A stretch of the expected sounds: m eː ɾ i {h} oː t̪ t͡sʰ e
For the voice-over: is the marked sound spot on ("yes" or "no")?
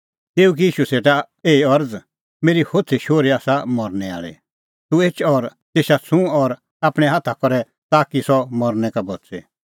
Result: yes